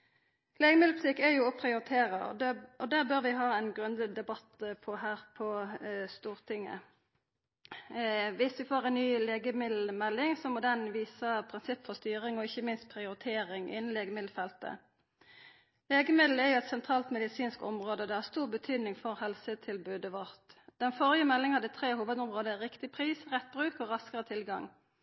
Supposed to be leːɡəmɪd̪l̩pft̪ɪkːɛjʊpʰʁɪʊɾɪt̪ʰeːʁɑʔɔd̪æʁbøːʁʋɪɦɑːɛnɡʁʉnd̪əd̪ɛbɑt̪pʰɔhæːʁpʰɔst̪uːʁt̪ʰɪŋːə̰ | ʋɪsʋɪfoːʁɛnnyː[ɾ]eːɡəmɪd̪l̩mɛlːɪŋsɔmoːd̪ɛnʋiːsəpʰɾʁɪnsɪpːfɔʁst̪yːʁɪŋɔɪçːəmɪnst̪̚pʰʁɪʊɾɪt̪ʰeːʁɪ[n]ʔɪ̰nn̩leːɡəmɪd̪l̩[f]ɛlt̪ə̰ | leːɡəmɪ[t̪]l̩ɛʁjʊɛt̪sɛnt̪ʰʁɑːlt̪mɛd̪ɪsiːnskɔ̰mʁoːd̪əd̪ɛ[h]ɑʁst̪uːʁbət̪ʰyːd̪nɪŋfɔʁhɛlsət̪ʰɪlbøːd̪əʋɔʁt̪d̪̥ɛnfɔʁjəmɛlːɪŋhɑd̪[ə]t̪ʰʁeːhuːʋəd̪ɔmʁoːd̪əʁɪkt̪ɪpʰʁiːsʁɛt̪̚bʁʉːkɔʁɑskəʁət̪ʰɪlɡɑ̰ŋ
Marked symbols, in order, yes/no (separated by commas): no, no, yes, no, yes, yes